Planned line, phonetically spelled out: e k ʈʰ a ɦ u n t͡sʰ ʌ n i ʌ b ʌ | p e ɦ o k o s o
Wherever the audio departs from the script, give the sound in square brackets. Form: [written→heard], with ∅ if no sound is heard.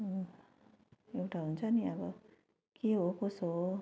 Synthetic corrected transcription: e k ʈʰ a ɦ u n t͡sʰ ʌ n i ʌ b ʌ | [p→k] e ɦ o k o s o